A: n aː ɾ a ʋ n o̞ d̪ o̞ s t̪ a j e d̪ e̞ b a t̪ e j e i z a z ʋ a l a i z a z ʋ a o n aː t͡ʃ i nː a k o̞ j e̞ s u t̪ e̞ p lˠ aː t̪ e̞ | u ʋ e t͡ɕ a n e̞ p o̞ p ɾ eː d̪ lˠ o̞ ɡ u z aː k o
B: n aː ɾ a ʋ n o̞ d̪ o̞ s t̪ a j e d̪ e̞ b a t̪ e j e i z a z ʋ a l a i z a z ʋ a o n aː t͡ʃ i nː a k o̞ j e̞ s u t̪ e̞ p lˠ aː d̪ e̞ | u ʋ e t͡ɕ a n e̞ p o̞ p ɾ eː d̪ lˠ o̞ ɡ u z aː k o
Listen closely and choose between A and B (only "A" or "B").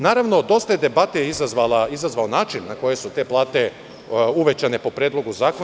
A